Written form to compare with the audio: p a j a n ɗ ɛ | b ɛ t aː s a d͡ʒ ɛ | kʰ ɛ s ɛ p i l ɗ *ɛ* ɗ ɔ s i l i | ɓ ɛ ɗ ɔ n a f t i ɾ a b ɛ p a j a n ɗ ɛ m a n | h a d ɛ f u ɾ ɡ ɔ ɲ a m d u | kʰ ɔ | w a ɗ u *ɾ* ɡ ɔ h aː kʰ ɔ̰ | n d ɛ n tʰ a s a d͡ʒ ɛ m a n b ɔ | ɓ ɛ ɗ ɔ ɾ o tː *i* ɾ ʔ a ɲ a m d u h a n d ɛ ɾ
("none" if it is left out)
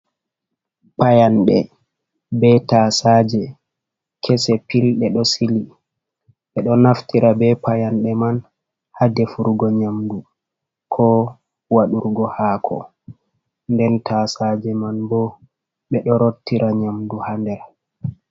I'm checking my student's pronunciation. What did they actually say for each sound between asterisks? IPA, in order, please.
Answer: ɛ, ɾ, i

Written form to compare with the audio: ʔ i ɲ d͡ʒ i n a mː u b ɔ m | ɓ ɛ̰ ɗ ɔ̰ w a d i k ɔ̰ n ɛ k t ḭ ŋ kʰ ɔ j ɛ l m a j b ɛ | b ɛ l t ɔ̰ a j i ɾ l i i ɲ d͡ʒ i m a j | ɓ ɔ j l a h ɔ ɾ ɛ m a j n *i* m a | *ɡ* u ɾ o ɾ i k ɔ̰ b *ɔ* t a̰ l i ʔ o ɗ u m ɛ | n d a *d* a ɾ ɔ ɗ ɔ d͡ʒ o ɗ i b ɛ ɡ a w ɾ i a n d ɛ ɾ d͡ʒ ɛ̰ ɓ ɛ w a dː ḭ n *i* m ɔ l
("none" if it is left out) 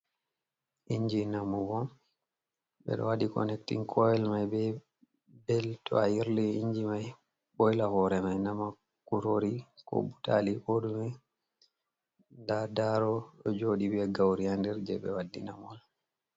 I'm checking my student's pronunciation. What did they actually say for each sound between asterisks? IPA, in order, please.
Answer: a, k, u, d, a

